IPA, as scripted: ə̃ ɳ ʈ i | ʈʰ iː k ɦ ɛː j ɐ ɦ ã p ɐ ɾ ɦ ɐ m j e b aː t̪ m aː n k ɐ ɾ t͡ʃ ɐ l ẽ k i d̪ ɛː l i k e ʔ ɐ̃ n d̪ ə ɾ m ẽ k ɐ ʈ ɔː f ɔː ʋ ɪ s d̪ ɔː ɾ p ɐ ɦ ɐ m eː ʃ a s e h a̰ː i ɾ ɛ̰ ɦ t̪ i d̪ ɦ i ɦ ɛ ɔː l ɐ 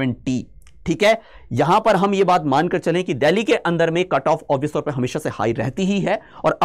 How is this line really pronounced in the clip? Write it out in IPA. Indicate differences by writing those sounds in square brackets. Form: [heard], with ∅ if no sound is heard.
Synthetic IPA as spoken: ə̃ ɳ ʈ i | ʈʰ iː k ɦ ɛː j ɐ ɦ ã p ɐ ɾ ɦ ɐ m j e b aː t̪ m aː n k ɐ ɾ t͡ʃ ɐ l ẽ k i d̪ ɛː l i k e ʔ ɐ̃ n d̪ ə ɾ m ẽ k ɐ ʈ ɔː f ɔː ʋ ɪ s [t̪] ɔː ɾ p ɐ ɦ ɐ m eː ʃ a s e h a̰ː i ɾ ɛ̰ ɦ t̪ i [∅] ɦ i ɦ ɛ ɔː [ɾ] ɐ